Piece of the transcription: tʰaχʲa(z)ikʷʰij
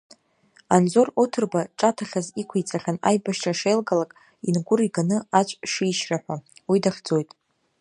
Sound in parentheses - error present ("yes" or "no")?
no